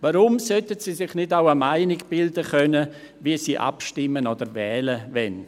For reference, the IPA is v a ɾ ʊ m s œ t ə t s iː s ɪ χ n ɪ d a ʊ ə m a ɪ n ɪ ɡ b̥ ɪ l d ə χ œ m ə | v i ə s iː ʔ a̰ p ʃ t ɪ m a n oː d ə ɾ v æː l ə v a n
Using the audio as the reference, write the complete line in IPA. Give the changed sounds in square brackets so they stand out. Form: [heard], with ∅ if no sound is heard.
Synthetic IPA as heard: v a ɾ ʊ m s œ t ə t s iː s ɪ χ n ɪ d a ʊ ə m a ɪ n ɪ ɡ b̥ ɪ l d ə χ œ [n] ə | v i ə s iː ʔ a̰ p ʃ t ɪ m [ə] n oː d ə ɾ v [ɛː] l ə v [ɛ] n